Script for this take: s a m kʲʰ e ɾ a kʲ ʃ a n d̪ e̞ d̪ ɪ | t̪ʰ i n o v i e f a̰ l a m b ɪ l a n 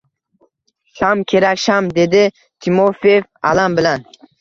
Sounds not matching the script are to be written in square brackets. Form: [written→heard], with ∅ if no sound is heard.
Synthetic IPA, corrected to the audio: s a m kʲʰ e ɾ a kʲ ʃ a [n→m] d̪ e̞ d̪ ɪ | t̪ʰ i [n→m] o [v→f] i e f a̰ l a m b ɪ l a n